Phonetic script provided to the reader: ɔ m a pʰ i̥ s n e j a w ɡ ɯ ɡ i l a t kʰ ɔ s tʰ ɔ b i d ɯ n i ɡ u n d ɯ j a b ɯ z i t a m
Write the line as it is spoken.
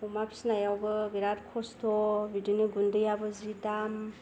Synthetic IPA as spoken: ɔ m a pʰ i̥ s n a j a w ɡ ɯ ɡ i ɾ a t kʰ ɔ s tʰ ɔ b i d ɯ n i ɡ u n d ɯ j a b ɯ z i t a m